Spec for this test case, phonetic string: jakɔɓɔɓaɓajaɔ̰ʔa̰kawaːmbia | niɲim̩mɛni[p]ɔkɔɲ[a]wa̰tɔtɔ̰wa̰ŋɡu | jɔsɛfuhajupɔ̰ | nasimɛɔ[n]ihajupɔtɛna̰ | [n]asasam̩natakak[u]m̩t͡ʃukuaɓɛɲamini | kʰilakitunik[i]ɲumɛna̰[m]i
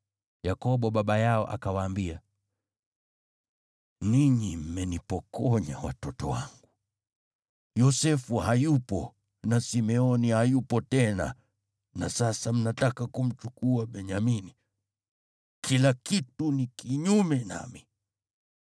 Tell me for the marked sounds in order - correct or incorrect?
correct, correct, correct, correct, correct, correct, correct

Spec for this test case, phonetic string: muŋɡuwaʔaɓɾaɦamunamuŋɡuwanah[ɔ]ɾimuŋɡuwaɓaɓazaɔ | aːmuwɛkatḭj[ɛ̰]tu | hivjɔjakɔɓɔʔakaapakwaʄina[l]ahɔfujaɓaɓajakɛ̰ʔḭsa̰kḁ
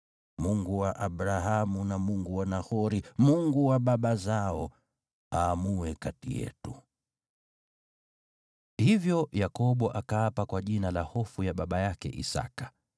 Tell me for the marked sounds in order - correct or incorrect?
correct, correct, correct

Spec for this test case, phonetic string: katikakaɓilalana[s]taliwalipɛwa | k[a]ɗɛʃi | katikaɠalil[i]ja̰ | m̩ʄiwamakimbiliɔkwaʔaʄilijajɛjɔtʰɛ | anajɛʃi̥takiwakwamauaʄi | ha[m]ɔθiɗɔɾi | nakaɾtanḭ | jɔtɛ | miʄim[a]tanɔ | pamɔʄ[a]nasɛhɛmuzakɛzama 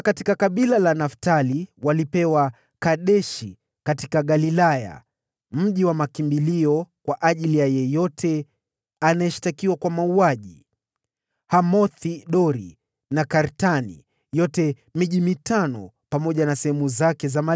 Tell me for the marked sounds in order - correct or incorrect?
incorrect, correct, incorrect, correct, incorrect, correct

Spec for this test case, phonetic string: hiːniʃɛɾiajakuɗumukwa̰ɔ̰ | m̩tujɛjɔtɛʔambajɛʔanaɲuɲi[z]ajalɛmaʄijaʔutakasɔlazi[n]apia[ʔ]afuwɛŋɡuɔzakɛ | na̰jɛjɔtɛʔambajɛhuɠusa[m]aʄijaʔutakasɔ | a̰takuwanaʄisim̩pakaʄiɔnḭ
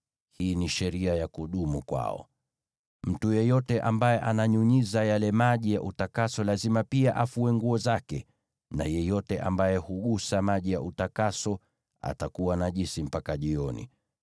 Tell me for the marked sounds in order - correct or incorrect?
correct, incorrect, correct, correct

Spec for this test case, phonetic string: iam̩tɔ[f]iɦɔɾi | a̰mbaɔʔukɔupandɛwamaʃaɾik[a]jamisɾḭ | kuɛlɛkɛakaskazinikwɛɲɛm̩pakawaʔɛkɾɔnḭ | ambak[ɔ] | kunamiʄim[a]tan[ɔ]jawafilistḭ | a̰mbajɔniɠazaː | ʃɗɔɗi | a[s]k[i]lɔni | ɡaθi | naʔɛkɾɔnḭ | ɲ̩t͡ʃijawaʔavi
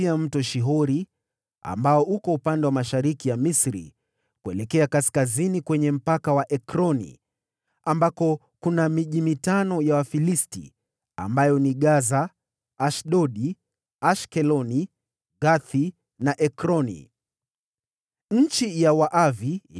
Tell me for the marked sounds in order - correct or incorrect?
incorrect, incorrect, correct, incorrect, correct, incorrect, incorrect

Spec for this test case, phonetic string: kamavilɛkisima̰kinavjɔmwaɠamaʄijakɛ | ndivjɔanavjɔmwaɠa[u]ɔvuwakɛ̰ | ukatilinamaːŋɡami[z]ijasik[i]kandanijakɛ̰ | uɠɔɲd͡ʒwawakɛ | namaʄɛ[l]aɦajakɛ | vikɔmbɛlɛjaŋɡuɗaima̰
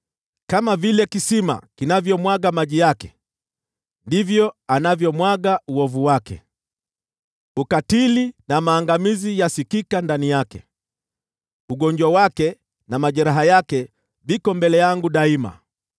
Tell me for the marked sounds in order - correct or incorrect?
correct, correct, correct, incorrect

